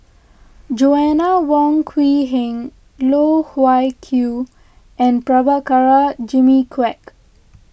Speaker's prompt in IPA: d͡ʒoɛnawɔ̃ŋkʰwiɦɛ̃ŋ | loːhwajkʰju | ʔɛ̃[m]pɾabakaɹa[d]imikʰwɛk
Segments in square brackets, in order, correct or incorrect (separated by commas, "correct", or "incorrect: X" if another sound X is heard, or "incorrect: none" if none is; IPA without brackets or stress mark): incorrect: n, incorrect: d͡ʒ